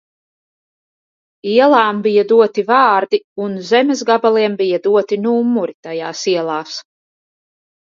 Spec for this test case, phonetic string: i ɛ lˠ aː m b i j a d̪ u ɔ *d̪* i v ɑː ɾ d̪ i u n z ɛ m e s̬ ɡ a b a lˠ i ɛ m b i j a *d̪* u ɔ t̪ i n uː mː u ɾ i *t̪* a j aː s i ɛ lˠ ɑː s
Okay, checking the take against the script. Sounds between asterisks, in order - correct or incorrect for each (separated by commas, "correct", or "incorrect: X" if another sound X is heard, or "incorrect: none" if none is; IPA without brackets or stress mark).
incorrect: t̪, correct, correct